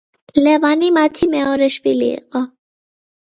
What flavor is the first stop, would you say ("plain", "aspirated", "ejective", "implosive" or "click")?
aspirated